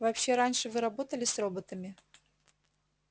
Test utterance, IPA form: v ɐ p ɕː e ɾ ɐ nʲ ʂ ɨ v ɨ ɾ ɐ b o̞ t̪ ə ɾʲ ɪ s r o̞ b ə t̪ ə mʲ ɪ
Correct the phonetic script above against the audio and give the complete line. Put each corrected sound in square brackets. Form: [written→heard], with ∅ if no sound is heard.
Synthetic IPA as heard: v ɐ p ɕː e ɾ [ɐ→a] nʲ ʂ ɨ v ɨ ɾ ɐ b o̞ t̪ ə [ɾʲ→lʲ] ɪ s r o̞ b ə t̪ ə mʲ ɪ

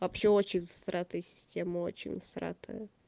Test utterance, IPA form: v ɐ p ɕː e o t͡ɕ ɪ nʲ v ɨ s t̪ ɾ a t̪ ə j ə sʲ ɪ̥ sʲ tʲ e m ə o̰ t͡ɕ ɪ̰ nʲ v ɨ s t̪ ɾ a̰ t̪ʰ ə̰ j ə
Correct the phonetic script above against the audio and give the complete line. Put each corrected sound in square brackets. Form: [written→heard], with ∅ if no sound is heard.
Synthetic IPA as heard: v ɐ p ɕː e o t͡ɕ ɪ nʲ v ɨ s t̪ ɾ a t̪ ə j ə sʲ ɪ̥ sʲ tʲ e m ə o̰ t͡ɕ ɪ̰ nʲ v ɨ s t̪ ɾ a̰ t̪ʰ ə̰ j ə

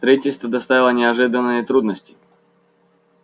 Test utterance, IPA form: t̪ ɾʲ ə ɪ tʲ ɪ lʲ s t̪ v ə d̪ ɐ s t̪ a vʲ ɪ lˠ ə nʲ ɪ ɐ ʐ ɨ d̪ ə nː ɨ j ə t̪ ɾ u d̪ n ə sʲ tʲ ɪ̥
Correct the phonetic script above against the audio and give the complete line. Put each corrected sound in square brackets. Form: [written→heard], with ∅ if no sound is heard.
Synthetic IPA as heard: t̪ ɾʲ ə [ɪ→i] tʲ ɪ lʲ s t̪ v ə d̪ ɐ s t̪ a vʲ ɪ lˠ ə nʲ ɪ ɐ ʐ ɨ d̪ ə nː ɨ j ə t̪ ɾ u d̪ n ə sʲ tʲ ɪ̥

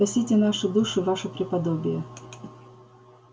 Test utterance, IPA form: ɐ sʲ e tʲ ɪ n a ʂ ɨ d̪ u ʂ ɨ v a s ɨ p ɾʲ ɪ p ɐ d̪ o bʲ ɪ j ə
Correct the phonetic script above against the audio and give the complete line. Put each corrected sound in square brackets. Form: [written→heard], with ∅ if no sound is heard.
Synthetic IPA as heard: ɐ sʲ [e→i] tʲ ɪ n a ʂ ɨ d̪ u ʂ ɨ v a [s→ʂ] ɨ p ɾʲ ɪ p ɐ d̪ o bʲ ɪ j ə

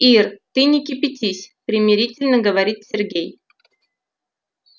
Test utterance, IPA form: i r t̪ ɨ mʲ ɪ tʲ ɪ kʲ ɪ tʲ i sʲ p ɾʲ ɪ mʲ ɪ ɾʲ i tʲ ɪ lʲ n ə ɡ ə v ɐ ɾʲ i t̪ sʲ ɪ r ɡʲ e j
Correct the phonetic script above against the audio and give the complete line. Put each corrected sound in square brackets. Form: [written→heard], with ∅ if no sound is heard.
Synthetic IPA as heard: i r t̪ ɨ [mʲ→nʲ] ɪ [tʲ→kʲ] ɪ [kʲ→pʲ] ɪ tʲ i sʲ p ɾʲ ɪ mʲ ɪ ɾʲ i tʲ ɪ lʲ n ə ɡ ə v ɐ ɾʲ i t̪ sʲ ɪ r ɡʲ e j

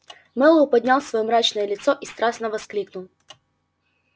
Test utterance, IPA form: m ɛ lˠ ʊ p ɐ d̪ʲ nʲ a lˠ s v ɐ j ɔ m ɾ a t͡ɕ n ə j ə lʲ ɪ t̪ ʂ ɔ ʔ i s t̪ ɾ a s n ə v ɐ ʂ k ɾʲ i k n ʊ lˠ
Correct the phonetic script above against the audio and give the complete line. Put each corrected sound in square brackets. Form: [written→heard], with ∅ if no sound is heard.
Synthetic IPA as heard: m ɛ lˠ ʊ p ɐ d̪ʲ nʲ a lˠ s v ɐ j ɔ m ɾ a t͡ɕ n ə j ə lʲ ɪ t̪ [ʂ→s] ɔ ʔ i s t̪ ɾ a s n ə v ɐ [ʂ→s] k [ɾʲ→lʲ] i k n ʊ lˠ

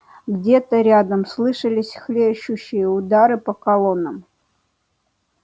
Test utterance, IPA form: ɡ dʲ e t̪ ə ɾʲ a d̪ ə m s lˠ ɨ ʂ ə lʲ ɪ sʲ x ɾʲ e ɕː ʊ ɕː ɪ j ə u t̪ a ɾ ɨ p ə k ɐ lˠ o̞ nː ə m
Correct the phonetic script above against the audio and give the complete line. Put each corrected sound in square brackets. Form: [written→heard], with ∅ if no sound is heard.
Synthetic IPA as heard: ɡ dʲ e t̪ ə ɾʲ a d̪ ə m s lˠ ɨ ʂ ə lʲ ɪ sʲ x [ɾʲ→lʲ] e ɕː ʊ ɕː ɪ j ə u [t̪→d̪] a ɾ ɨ p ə k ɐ lˠ o̞ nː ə m

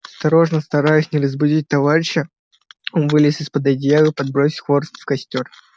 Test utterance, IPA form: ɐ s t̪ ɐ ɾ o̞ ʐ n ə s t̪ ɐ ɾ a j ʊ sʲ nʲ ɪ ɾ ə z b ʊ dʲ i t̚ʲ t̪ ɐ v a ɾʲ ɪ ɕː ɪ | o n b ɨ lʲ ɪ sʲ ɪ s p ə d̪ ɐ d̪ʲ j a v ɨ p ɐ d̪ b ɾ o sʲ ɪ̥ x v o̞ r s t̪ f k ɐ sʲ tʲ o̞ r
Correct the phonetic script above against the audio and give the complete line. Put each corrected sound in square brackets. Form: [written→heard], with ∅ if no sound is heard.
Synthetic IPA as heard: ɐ s t̪ ɐ ɾ o̞ ʐ n ə s t̪ ɐ ɾ a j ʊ sʲ nʲ ɪ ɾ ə z b ʊ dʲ i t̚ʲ t̪ ɐ v a ɾʲ ɪ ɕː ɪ | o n [b→v] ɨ lʲ ɪ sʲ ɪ s p ə d̪ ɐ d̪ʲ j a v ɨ p ɐ d̪ b ɾ o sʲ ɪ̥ x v o̞ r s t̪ f k ɐ sʲ tʲ o̞ r

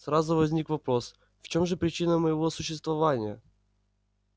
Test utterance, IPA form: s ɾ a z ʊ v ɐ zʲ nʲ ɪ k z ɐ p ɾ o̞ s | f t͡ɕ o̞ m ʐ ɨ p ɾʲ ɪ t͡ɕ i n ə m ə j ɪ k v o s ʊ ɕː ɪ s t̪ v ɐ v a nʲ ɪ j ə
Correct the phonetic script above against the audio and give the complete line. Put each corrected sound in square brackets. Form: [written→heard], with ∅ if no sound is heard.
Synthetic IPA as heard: s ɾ a z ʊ v ɐ zʲ nʲ [ɪ→i] k [z→v] ɐ p ɾ o̞ s | f t͡ɕ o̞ m ʐ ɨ p ɾʲ ɪ t͡ɕ i n ə m ə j ɪ [k→∅] v o s ʊ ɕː ɪ s t̪ v ɐ v a nʲ ɪ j ə

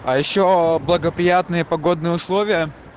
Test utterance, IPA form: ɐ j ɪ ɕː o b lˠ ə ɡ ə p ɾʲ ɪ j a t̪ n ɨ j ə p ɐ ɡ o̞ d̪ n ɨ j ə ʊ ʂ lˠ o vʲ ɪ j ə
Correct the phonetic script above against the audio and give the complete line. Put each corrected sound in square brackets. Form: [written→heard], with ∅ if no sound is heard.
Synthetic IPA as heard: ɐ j ɪ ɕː o b lˠ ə ɡ ə p ɾʲ ɪ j a t̪ n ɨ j ə p ɐ ɡ o̞ d̪ n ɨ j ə ʊ [ʂ→s] lˠ o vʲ ɪ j ə

